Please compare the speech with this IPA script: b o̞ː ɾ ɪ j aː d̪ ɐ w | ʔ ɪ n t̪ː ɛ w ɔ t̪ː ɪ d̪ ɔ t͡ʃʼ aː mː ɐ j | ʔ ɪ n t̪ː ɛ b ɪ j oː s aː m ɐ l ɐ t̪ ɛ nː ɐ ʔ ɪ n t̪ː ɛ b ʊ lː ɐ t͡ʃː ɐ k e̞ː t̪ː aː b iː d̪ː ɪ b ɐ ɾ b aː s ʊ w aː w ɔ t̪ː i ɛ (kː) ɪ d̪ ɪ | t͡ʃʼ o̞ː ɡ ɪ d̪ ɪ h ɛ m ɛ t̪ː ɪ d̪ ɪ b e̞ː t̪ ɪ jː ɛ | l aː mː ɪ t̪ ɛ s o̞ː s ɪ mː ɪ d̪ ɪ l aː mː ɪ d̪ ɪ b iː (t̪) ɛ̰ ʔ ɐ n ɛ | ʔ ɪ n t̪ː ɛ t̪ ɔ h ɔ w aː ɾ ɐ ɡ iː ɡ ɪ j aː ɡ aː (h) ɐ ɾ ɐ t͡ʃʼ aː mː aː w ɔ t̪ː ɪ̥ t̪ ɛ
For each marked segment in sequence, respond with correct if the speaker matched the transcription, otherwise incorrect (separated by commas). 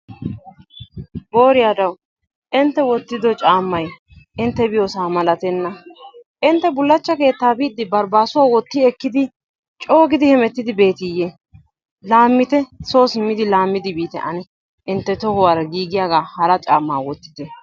correct, correct, correct